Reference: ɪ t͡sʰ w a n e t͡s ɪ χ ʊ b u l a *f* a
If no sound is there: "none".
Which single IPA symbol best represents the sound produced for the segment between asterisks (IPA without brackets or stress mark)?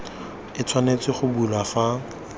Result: f